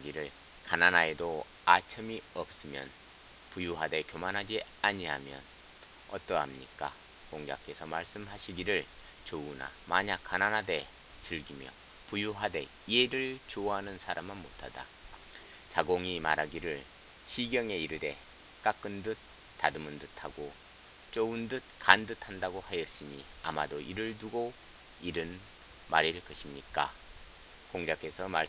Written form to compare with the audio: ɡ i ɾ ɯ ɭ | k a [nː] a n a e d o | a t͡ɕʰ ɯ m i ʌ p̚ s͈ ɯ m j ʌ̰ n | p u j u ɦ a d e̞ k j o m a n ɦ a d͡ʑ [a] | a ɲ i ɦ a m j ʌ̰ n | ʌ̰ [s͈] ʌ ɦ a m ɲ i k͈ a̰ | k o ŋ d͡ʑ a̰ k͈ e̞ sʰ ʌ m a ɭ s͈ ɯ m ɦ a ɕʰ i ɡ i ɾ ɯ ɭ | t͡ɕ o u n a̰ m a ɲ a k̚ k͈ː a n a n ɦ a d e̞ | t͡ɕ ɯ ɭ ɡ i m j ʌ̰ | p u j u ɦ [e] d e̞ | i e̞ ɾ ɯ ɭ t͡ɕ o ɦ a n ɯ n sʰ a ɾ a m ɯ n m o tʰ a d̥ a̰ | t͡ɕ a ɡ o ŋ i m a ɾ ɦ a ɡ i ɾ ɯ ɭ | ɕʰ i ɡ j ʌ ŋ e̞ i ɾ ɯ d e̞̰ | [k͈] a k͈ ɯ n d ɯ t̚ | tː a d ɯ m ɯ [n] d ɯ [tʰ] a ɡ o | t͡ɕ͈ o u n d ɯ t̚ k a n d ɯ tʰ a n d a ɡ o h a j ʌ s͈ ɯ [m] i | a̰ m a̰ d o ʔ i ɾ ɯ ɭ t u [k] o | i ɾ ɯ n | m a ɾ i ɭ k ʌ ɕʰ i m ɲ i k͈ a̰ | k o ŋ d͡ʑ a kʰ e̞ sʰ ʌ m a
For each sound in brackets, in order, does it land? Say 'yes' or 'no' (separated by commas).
no, no, no, no, yes, yes, yes, no, no